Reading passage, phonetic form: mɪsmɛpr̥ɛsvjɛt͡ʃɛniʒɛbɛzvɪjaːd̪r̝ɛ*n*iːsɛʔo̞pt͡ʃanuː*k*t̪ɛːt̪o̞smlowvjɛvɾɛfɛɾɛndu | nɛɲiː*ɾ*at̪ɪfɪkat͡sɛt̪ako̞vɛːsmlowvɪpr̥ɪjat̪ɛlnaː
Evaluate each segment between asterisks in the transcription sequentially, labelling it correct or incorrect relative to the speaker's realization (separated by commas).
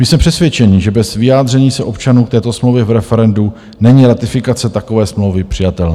incorrect, correct, correct